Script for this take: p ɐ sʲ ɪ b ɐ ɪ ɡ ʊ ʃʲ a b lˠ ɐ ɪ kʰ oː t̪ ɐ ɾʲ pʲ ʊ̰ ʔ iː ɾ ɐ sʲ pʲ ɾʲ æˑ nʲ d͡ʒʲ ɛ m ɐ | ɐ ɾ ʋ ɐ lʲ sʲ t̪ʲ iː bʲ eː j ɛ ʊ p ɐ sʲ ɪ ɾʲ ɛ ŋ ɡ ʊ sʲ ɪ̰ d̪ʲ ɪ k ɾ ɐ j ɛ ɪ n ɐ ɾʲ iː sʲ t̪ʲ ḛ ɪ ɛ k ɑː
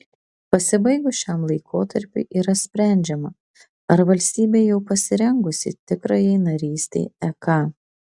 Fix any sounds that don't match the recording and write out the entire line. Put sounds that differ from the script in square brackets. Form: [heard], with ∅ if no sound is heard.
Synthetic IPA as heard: p ɐ sʲ ɪ b ɐ ɪ ɡ ʊ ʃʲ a [m] lˠ ɐ ɪ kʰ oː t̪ ɐ ɾʲ pʲ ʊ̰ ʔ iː ɾ ɐ sʲ pʲ ɾʲ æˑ nʲ d͡ʒʲ ɛ m ɐ | ɐ ɾ ʋ ɐ lʲ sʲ t̪ʲ iː bʲ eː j ɛ ʊ p ɐ sʲ ɪ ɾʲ ɛ ŋ ɡ ʊ sʲ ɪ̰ [t̪ʲ] ɪ k ɾ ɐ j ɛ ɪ n ɐ ɾʲ iː sʲ t̪ʲ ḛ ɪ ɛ k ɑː